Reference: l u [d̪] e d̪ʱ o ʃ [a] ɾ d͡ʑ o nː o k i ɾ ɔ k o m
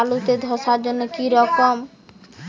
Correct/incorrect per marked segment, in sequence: incorrect, correct

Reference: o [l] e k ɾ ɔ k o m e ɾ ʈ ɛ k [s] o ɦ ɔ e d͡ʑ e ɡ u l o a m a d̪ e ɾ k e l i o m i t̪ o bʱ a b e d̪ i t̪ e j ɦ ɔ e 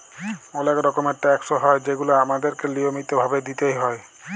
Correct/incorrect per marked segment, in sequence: correct, correct

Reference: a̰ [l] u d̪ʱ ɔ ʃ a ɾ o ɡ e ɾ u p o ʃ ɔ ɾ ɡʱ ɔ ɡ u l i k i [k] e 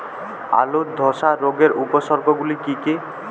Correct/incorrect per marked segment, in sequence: correct, correct

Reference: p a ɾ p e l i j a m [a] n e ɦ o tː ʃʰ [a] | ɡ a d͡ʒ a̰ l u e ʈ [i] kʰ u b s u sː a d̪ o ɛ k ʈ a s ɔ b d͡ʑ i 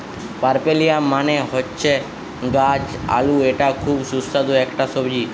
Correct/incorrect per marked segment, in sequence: correct, incorrect, incorrect

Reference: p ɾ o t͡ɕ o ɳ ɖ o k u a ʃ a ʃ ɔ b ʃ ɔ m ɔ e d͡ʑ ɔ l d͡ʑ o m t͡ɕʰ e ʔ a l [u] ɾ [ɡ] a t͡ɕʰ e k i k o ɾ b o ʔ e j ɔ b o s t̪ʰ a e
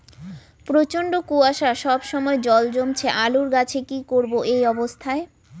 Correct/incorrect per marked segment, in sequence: correct, correct

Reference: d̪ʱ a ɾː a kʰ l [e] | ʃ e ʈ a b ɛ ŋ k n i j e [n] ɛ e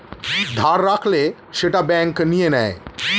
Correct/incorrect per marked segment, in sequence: correct, correct

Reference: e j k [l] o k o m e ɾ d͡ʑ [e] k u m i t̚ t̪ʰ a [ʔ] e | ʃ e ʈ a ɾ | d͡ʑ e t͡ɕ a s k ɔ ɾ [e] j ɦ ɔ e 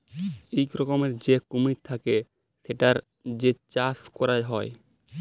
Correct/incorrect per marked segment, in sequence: incorrect, correct, incorrect, incorrect

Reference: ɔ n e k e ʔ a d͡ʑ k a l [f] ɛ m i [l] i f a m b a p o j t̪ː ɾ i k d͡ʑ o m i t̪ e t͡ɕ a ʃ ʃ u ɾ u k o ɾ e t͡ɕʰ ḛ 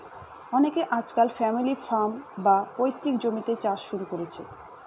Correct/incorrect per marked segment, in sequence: correct, correct

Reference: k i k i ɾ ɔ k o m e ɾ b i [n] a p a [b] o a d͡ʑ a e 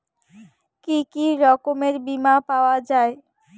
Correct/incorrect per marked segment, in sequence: incorrect, incorrect

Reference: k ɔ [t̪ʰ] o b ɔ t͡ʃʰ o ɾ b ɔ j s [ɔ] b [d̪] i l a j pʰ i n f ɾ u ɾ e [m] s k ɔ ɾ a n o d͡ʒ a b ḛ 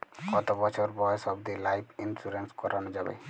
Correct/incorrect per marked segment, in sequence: incorrect, correct, correct, incorrect

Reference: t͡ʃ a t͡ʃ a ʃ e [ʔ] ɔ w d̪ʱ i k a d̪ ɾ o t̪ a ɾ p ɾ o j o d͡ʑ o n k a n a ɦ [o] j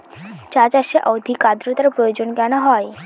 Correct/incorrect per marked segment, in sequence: correct, incorrect

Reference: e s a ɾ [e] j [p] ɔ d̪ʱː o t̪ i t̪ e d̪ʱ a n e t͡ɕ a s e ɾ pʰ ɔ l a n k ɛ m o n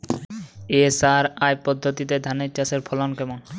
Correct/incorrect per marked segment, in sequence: incorrect, correct

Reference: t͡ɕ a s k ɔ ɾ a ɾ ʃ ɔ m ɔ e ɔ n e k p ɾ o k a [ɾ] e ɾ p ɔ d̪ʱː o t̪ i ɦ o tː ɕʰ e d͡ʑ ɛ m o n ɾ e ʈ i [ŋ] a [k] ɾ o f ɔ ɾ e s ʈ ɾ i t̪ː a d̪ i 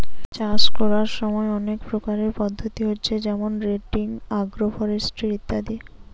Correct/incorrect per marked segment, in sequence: correct, correct, incorrect

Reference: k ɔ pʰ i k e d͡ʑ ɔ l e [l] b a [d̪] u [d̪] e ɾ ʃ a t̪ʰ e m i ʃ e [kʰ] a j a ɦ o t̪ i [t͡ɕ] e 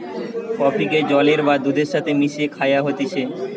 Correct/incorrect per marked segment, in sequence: incorrect, correct, correct, correct, incorrect

